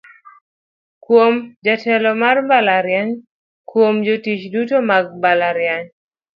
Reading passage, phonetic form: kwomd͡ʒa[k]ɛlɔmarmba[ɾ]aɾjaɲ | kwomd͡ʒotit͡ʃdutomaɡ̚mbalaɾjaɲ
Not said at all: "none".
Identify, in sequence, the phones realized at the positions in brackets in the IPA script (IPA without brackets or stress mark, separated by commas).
t, l